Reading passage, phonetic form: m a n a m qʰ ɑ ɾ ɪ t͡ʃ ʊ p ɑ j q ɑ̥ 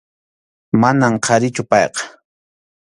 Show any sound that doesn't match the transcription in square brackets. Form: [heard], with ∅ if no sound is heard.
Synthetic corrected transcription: m a n a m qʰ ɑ ɾ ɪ t͡ʃ ʊ p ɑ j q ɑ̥